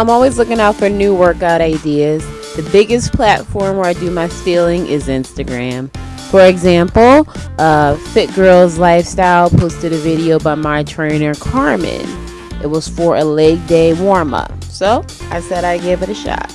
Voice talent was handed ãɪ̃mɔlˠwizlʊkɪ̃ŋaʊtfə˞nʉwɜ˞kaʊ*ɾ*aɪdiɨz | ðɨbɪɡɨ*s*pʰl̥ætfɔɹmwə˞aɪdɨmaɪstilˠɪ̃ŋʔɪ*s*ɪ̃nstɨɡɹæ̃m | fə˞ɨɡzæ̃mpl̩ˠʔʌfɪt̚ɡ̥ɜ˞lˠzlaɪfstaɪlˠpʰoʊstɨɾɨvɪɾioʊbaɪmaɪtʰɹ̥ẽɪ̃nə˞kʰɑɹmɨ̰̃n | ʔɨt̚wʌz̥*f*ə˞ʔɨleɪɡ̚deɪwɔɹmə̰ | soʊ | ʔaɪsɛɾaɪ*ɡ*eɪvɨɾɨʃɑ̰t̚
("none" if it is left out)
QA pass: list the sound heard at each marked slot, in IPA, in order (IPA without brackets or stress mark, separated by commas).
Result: ɾ, s, z, f, ɡ